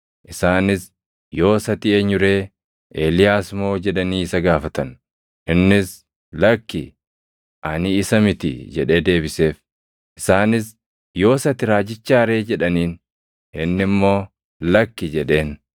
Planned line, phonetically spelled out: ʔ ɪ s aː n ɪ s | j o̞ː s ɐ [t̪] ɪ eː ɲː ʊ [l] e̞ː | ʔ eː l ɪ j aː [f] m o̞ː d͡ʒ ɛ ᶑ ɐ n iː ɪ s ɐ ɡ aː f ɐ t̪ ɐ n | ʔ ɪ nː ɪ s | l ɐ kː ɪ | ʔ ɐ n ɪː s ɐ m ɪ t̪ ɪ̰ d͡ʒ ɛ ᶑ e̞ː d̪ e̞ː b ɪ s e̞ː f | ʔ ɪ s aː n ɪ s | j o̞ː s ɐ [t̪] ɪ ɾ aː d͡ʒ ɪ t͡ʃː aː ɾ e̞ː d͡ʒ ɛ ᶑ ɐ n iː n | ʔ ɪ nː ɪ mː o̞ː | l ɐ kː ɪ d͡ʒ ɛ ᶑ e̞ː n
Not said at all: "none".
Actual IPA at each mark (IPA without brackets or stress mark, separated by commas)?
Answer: t̪, ɾ, s, t̪